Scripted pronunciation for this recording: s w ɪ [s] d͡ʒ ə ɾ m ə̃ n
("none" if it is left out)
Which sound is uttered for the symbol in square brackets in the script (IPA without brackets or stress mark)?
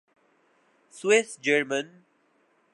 s